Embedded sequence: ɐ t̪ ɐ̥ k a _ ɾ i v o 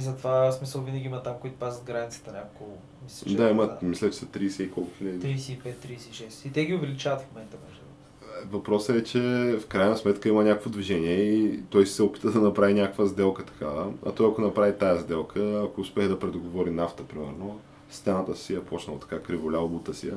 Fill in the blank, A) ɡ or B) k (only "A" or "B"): B